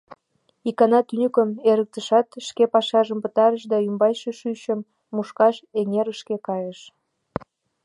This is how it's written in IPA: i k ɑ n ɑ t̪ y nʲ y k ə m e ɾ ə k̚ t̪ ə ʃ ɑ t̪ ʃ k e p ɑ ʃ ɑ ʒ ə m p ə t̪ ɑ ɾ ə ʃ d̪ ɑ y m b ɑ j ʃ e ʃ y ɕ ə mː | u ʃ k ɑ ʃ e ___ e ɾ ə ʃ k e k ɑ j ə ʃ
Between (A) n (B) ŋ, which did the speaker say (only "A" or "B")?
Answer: B